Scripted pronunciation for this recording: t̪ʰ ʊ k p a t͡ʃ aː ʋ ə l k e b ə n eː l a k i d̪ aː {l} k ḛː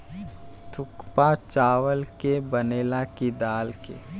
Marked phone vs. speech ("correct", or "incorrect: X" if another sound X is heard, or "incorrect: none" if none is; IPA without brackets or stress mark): correct